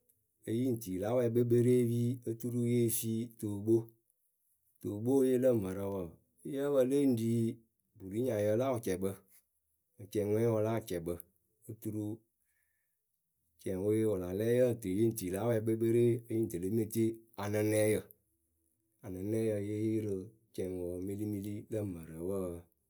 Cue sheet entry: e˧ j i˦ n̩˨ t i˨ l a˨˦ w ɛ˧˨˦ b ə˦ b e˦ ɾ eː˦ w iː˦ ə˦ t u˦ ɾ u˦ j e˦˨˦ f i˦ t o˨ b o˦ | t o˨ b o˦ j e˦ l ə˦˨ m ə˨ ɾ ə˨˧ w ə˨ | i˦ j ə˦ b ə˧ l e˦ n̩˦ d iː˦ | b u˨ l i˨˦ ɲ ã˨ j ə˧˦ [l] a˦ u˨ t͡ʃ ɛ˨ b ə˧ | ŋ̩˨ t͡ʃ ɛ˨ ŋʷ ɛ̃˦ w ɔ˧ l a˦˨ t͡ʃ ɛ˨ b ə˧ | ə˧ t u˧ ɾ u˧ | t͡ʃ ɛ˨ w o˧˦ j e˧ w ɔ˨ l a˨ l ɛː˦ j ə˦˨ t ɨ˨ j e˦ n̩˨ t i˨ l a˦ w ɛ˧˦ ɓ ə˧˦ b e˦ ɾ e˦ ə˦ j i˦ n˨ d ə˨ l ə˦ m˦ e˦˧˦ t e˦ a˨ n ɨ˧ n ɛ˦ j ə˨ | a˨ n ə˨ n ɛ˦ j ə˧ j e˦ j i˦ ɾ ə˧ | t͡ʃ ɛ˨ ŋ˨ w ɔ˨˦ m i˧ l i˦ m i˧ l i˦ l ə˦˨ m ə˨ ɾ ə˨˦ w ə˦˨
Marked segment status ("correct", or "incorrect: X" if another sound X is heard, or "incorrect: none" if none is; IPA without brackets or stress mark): correct